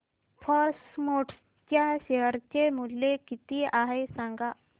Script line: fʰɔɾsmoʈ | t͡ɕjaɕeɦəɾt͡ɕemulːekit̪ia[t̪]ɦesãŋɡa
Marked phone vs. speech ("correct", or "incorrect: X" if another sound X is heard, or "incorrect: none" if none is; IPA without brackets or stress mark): incorrect: none